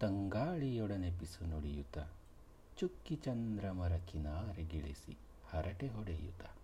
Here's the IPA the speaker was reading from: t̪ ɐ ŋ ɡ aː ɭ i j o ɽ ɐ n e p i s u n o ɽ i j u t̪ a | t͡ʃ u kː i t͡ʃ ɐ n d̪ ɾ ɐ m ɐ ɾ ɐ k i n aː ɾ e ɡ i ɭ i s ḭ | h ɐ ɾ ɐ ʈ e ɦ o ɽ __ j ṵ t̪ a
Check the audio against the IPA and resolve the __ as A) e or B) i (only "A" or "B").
A